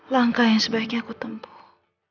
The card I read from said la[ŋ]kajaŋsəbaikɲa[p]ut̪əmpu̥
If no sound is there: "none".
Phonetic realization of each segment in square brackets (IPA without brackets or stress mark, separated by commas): ŋ, k